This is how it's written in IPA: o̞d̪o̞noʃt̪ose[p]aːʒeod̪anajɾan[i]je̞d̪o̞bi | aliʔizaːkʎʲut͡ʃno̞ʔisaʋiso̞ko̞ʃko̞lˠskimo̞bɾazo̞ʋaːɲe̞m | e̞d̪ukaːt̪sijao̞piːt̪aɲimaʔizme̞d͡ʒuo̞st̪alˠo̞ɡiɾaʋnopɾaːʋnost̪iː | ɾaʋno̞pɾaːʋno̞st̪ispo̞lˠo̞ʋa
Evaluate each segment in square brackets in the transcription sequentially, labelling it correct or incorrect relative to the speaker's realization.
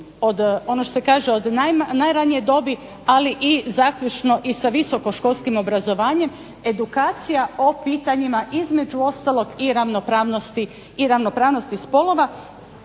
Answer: incorrect: k, correct

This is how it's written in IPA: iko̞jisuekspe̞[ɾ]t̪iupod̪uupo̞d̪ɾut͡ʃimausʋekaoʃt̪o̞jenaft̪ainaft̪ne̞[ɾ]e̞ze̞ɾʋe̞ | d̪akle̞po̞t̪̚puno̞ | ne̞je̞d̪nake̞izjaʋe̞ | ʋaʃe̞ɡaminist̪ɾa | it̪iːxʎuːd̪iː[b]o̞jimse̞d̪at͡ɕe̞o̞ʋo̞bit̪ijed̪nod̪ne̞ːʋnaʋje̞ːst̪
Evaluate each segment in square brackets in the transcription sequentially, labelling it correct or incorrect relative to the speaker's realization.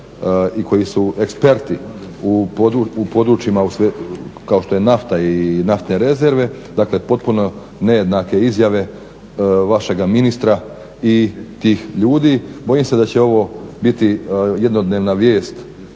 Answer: correct, correct, correct

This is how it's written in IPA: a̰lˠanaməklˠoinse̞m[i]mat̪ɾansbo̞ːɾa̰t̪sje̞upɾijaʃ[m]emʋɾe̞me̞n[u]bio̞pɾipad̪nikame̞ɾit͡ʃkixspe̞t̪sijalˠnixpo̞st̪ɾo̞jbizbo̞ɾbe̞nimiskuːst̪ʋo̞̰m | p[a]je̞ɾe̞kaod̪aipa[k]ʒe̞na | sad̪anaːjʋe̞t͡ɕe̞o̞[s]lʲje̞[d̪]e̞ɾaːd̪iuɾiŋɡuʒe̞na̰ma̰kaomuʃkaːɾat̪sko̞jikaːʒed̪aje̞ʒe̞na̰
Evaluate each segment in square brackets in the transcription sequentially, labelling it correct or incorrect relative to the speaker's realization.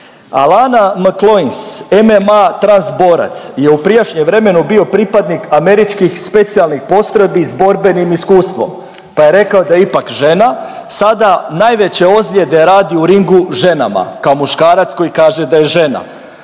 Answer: incorrect: e, incorrect: ɲ, correct, correct, correct, incorrect: z, correct

